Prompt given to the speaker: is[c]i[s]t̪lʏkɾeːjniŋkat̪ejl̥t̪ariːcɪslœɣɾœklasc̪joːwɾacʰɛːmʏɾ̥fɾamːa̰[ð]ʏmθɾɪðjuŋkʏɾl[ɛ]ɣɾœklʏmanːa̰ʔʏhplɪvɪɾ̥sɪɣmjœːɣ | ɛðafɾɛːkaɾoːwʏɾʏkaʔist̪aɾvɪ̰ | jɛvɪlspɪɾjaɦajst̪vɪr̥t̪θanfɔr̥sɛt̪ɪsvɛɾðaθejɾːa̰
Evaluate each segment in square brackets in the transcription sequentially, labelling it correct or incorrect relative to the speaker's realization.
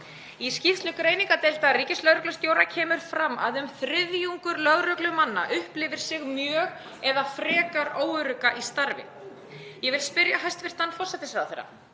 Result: correct, incorrect, correct, incorrect

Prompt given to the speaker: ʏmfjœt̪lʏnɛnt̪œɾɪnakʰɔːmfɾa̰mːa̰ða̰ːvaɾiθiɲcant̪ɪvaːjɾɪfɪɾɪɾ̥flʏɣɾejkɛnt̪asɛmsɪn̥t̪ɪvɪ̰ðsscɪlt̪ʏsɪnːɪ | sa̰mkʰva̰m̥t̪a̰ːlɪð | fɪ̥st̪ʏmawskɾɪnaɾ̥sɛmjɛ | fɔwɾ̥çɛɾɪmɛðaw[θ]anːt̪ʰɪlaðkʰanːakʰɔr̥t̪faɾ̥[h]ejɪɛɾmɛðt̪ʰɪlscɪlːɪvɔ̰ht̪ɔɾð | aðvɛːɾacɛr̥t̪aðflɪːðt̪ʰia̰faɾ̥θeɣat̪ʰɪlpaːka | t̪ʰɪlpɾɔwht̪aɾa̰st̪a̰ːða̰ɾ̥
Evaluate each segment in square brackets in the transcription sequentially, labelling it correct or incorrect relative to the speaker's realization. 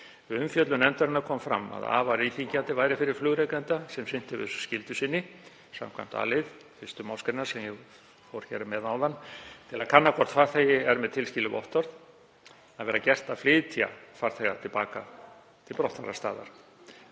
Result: incorrect, incorrect

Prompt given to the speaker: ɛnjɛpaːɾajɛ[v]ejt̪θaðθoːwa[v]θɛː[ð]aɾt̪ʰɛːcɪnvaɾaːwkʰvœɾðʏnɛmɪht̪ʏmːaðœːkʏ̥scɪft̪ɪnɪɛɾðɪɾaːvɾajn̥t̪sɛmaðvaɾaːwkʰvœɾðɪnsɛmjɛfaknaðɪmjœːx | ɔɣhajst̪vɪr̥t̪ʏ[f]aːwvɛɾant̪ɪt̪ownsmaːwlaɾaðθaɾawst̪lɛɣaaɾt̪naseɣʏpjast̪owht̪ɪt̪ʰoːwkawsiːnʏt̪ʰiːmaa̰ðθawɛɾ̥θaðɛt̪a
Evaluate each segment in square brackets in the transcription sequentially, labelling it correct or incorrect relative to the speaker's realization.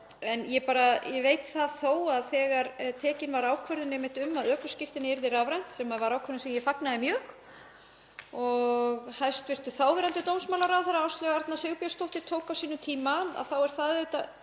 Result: correct, incorrect, incorrect, incorrect

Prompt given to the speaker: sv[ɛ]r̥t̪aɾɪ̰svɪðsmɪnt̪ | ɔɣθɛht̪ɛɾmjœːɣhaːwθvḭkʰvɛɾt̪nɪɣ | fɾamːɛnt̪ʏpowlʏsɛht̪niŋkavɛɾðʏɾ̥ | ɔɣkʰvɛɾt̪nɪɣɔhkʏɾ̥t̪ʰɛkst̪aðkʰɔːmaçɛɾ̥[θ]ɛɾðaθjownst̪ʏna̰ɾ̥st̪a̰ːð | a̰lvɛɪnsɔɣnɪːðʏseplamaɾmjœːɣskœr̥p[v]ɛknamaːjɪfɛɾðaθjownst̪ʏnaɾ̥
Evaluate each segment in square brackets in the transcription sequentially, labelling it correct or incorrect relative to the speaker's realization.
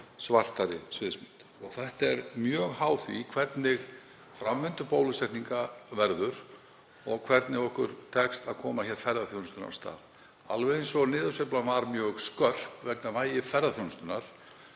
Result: incorrect, incorrect, correct

